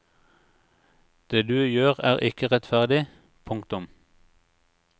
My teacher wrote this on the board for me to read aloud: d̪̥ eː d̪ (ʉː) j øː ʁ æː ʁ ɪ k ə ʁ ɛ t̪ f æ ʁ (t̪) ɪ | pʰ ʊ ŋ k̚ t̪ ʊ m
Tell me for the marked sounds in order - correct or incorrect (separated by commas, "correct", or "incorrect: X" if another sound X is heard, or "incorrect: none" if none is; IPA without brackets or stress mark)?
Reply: correct, incorrect: d̪